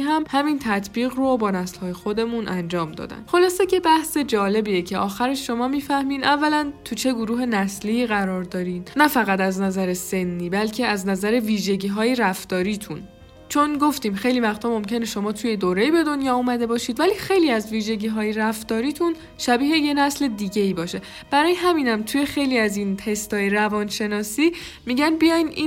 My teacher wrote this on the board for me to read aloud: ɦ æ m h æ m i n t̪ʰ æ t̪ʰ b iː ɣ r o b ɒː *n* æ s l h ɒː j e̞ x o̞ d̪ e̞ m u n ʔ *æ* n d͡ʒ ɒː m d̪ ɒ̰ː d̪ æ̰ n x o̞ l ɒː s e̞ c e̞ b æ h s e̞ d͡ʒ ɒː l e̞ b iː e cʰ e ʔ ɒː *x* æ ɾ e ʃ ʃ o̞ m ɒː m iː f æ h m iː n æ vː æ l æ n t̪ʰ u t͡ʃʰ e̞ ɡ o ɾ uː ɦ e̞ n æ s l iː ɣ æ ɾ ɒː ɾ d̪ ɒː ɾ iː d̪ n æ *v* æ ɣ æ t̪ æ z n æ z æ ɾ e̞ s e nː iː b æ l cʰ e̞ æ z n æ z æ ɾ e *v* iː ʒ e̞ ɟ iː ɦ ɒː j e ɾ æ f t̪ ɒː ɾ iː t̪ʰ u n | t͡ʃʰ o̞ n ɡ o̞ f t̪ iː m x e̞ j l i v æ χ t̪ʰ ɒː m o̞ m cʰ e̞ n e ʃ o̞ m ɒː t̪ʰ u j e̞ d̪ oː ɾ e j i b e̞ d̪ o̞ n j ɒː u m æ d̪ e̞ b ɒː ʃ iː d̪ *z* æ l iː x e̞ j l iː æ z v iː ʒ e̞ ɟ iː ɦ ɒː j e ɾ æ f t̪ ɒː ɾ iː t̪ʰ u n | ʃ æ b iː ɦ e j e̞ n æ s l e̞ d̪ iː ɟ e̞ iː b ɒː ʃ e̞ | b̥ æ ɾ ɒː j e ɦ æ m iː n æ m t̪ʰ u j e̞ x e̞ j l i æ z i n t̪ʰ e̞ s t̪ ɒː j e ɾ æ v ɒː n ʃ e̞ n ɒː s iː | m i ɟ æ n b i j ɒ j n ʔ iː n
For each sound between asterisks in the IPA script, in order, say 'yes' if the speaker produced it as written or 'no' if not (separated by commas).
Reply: yes, yes, yes, no, yes, no